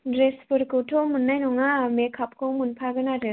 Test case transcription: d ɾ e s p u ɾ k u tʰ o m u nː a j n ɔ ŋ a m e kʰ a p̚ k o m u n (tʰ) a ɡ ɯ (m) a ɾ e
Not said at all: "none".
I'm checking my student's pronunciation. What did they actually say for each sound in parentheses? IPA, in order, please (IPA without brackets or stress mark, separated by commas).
pʰ, n